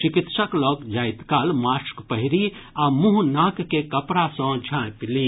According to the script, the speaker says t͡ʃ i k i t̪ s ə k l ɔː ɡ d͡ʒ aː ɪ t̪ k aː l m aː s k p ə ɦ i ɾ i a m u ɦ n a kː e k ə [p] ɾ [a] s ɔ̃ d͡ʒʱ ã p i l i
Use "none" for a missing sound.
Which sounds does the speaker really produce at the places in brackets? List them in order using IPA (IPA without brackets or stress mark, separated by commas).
p, a